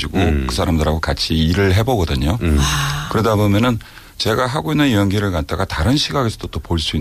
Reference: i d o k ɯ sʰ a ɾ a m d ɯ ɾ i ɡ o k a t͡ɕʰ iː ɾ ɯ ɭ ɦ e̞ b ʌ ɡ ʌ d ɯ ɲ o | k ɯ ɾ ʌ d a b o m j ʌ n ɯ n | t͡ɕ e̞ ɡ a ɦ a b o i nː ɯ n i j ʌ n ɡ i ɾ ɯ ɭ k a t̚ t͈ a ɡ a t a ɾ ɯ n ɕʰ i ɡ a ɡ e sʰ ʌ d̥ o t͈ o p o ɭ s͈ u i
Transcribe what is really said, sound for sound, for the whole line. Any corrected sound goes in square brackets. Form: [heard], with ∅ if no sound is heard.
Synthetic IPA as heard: i [ɡ] o k ɯ sʰ a ɾ a m d ɯ ɾ [a] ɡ o k a t͡ɕʰ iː ɾ ɯ ɭ ɦ e̞ b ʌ ɡ ʌ d ɯ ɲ o | k ɯ ɾ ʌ d a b o m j ʌ n ɯ n | t͡ɕ e̞ ɡ a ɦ a [ɡ] o i nː ɯ n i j ʌ n ɡ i ɾ ɯ ɭ k a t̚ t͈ a ɡ a t a ɾ ɯ n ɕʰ i ɡ a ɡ e sʰ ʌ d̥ o t͈ o p o ɭ s͈ u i